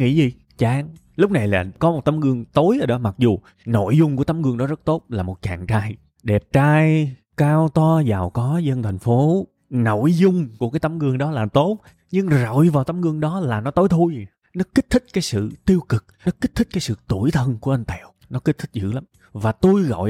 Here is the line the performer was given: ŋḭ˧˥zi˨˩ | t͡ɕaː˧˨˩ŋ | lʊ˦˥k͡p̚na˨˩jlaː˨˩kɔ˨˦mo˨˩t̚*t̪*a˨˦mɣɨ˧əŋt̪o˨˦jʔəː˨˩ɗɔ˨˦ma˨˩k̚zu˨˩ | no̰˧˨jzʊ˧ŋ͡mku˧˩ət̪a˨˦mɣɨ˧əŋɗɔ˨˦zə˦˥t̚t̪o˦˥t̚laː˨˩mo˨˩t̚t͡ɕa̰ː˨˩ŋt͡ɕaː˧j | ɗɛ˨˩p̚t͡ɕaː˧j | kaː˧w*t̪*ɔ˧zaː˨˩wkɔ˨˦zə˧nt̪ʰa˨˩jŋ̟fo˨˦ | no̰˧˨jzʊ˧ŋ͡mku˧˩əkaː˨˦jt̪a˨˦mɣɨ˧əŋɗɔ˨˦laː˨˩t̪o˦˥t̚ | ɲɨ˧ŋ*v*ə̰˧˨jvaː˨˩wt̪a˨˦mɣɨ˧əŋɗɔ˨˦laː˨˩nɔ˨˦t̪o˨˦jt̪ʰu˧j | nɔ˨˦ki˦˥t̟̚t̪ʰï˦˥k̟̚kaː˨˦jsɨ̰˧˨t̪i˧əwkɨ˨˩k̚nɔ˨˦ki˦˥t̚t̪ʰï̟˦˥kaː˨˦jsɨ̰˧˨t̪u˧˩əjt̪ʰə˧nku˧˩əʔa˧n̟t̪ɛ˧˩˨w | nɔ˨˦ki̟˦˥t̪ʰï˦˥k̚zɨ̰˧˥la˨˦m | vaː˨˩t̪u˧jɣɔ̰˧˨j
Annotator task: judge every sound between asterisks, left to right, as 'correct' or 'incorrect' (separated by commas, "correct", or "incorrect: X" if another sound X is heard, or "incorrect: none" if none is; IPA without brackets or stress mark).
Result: correct, correct, incorrect: z